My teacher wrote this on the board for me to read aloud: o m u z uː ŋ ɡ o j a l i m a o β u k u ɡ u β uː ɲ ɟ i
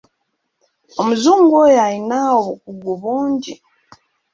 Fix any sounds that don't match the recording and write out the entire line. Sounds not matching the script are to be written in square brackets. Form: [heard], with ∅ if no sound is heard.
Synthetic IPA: o m u z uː ŋ ɡ o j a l i [n] a o β u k u ɡ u β uː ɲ ɟ i